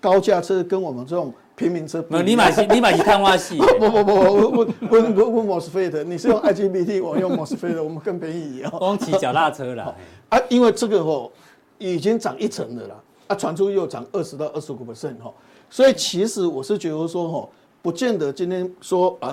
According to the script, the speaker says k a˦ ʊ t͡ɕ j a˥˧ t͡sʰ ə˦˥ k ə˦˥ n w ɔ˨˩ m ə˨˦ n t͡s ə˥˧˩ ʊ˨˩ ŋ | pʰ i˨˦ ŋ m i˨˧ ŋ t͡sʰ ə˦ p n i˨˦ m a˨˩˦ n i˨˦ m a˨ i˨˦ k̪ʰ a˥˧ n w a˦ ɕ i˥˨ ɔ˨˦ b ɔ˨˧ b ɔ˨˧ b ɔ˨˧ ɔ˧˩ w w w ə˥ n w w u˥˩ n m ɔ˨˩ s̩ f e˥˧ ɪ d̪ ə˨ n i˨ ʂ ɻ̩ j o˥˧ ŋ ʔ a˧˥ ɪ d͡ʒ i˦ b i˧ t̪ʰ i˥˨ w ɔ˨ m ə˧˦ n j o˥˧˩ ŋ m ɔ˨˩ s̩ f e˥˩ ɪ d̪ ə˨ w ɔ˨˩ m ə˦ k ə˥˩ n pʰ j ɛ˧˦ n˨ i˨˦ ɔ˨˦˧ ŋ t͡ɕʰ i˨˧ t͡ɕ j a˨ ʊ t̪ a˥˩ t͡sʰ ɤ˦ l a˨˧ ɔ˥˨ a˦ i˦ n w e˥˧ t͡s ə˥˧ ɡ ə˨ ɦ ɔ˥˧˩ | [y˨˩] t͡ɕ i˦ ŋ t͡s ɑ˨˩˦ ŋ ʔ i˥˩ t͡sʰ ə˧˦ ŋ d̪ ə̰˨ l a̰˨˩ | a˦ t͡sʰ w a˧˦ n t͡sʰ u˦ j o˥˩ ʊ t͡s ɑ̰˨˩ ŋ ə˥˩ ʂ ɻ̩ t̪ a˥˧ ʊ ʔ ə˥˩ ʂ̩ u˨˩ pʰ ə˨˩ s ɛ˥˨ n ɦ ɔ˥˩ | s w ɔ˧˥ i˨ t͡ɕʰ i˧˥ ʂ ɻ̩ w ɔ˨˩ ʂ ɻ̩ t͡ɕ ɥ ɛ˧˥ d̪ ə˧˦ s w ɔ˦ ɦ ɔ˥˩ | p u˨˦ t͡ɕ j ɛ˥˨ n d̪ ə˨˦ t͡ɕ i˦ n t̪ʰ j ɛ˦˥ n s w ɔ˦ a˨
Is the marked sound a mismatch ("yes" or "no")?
yes